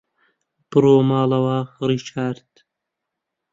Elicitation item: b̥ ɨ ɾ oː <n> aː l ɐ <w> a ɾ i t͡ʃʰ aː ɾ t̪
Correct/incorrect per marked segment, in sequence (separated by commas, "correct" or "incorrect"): incorrect, correct